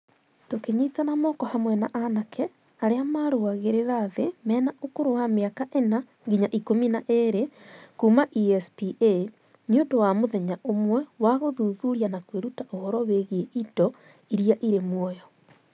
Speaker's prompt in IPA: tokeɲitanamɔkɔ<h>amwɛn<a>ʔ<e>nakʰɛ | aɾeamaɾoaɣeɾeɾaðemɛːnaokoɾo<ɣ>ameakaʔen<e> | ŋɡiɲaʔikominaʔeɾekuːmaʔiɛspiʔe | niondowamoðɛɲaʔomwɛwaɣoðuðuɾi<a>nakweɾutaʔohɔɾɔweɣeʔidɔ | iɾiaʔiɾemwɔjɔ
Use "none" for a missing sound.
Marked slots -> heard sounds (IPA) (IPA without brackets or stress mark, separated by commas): h, a, a, w, a, a